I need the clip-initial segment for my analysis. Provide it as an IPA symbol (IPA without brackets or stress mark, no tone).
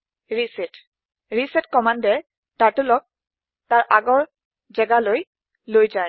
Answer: ɹ